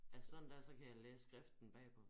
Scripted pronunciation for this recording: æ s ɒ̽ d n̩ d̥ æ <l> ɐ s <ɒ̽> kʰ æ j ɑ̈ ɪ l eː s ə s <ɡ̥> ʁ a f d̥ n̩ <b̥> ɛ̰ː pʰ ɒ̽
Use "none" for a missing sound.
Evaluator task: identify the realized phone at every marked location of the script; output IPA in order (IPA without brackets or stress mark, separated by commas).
none, ɒ̽, ɡ̥, b̥